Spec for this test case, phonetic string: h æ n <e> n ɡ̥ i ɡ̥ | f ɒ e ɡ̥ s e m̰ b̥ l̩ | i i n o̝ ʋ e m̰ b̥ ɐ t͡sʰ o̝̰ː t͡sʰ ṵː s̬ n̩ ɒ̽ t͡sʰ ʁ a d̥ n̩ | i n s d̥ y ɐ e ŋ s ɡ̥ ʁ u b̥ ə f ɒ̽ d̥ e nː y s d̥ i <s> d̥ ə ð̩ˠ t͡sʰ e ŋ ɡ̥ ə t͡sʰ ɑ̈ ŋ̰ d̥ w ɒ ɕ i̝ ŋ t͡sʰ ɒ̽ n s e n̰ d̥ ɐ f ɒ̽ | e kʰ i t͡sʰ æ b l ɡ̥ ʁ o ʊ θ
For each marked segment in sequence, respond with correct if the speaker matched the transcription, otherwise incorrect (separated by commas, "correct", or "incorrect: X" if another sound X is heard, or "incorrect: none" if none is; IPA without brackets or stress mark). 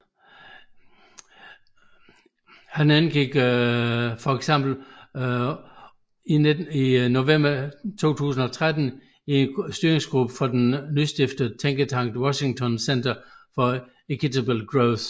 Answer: incorrect: æ, incorrect: f